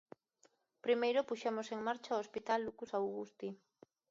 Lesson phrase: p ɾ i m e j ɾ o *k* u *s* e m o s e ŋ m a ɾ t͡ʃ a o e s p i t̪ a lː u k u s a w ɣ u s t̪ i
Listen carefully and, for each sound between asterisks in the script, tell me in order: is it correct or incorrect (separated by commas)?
incorrect, incorrect